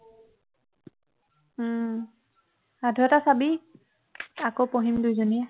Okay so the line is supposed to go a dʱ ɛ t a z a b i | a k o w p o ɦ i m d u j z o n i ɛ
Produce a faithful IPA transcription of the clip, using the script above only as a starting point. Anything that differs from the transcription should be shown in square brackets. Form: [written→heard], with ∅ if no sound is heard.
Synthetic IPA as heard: a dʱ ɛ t a [z→s] a b i | a k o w p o ɦ i m d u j z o n i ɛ